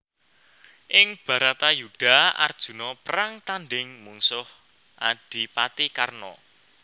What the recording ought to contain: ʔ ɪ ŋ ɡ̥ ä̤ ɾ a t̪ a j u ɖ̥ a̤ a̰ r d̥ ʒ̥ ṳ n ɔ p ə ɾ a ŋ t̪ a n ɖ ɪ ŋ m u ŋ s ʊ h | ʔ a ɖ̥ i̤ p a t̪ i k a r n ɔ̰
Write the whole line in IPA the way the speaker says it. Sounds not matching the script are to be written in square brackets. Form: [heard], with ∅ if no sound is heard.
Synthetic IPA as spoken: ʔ ɪ ŋ [b̥] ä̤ ɾ a t̪ a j u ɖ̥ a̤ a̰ r d̥ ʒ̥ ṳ n ɔ p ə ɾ a ŋ t̪ a n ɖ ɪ ŋ m u ŋ s ʊ h | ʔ a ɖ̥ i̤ p a t̪ i k a r n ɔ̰